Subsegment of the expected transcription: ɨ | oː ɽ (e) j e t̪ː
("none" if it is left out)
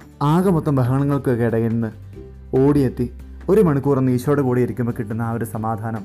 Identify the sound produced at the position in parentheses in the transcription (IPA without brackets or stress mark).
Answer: i